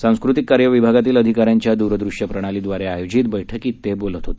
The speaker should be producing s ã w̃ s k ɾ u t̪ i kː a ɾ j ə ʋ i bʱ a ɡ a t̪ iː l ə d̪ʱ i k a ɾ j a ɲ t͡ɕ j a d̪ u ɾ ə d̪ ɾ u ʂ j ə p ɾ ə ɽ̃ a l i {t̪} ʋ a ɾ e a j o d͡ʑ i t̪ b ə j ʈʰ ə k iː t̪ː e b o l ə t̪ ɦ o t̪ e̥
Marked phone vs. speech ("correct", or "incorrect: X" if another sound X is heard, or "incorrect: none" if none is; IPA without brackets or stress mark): incorrect: d̪